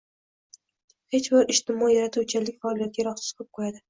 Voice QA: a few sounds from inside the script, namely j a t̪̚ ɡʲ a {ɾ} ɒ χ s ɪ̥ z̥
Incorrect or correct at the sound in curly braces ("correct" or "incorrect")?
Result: correct